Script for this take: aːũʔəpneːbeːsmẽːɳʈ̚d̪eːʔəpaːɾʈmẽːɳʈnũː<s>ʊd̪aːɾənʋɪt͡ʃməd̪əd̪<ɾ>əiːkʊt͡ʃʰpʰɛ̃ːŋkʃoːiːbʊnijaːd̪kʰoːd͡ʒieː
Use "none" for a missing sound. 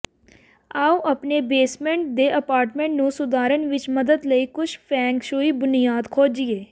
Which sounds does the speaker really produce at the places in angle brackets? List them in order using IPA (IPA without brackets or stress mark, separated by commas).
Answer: s, l